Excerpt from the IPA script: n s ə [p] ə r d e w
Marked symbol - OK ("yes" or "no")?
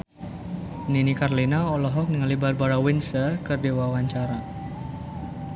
no